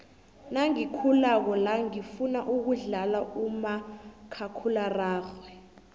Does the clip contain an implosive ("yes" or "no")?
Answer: no